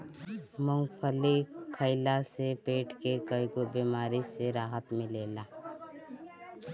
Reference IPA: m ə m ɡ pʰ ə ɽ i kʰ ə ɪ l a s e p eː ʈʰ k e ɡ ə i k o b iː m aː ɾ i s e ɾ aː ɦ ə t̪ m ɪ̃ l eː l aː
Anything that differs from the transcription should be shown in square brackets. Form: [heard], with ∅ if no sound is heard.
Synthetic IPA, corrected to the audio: m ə [ŋ] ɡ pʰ ə [l] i kʰ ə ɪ l a s e p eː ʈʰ k e [k] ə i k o b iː m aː ɾ i s e ɾ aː ɦ ə t̪ m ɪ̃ l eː l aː